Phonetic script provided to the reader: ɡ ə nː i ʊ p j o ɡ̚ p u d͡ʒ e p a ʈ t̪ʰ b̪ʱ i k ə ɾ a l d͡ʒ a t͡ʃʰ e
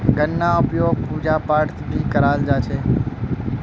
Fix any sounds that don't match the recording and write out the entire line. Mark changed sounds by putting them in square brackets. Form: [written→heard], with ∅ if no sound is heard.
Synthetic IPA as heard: ɡ ə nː [i→a] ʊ p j o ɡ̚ p u d͡ʒ [e→a] p a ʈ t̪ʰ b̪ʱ i k ə ɾ a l d͡ʒ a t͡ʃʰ e